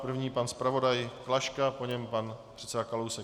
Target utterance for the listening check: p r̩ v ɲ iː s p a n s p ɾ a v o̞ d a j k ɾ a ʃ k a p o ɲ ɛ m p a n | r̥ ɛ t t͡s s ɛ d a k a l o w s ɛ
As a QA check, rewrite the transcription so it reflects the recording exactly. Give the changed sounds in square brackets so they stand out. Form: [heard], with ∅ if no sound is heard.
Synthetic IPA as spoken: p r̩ v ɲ iː [∅] p a n s p ɾ a v o̞ d a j k [l] a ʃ k a p o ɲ ɛ m p a n | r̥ ɛ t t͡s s ɛ d a k a l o w s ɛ